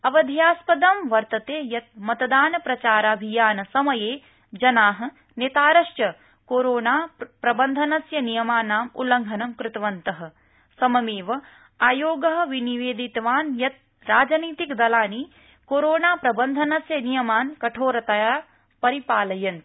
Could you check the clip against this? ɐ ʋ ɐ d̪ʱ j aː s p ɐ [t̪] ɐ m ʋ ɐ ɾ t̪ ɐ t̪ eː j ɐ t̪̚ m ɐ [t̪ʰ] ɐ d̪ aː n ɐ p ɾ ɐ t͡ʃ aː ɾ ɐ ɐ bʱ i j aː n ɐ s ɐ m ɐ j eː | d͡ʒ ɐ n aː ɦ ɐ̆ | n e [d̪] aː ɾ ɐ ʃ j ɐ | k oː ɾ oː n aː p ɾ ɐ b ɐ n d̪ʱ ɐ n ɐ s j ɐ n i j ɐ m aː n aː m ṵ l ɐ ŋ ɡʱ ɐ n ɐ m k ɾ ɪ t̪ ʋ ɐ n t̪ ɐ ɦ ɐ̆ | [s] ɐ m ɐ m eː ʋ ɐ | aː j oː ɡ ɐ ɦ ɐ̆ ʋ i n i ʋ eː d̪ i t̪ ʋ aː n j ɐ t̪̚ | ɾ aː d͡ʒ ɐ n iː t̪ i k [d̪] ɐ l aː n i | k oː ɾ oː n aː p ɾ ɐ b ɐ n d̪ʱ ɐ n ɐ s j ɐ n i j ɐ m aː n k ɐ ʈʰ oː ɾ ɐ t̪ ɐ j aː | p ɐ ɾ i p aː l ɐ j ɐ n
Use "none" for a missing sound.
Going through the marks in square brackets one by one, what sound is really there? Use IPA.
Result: d̪, t̪, t̪, s, d̪

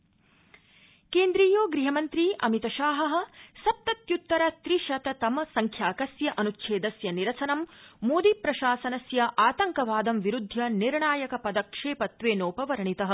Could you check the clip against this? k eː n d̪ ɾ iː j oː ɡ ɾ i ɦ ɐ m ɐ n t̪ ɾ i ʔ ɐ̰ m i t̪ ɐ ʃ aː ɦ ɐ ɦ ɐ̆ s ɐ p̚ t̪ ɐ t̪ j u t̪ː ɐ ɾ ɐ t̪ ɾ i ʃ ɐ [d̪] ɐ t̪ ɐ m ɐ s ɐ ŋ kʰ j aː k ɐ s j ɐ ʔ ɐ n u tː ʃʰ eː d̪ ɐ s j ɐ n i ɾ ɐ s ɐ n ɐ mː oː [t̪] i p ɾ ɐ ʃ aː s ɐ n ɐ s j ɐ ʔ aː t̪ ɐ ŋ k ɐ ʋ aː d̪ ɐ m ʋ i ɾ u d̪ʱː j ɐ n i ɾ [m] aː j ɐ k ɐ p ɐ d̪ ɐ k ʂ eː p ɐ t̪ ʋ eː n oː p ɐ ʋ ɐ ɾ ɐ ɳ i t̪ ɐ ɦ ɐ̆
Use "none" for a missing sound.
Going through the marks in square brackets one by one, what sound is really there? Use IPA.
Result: t̪, d̪, ɳ

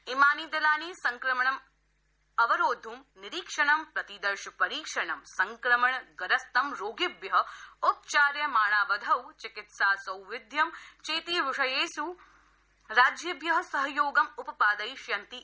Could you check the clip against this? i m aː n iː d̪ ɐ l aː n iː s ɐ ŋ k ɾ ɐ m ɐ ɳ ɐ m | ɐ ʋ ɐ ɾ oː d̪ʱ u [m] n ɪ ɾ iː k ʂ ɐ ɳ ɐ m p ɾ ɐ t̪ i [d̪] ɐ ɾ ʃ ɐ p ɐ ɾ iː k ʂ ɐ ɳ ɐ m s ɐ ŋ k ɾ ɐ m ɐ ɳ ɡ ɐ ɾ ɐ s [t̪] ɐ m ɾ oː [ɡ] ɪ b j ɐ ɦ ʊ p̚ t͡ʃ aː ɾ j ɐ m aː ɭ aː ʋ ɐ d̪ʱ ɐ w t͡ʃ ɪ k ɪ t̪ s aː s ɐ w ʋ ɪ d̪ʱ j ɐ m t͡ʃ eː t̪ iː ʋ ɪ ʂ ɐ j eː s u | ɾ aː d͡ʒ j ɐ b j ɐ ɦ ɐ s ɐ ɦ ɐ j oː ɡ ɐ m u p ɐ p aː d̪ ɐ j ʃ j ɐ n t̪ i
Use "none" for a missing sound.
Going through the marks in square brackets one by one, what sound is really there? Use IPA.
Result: m, d̪, t̪, ɡ

